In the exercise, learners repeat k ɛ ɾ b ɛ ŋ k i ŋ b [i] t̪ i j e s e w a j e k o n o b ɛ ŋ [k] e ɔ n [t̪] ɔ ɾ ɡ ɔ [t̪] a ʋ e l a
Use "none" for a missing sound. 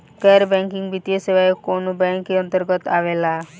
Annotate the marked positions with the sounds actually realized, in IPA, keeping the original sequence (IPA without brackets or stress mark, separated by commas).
i, k, t̪, t̪